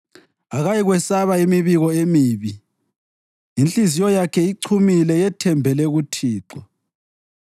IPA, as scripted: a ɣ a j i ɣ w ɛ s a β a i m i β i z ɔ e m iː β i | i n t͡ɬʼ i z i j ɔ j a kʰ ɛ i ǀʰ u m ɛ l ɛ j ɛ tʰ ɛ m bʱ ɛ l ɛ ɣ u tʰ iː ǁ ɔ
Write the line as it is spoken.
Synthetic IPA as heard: a ɣ a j i ɣ w ɛ s a β a i m i β i ɣ ɔ e m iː β i | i n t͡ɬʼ i z i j ɔ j a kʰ ɛ i ǀʰ u m i l ɛ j ɛ tʰ ɛ m bʱ ɛ l ɛ ɣ u tʰ iː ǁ ɔ